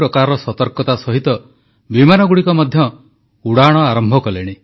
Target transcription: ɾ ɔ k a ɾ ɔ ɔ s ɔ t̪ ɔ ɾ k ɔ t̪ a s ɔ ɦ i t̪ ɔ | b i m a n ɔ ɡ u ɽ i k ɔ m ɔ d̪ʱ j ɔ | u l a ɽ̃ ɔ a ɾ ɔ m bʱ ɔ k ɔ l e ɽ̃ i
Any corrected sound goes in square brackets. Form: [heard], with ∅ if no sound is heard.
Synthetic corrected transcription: ɾ ɔ k a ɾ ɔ ɔ s ɔ t̪ ɔ ɾ k ɔ t̪ a s ɔ ɦ i t̪ ɔ | b i m a n ɔ ɡ u ɽ i k ɔ m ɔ d̪ʱ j ɔ | u [ɽ] a ɽ̃ ɔ a ɾ ɔ m bʱ ɔ k ɔ l e ɽ̃ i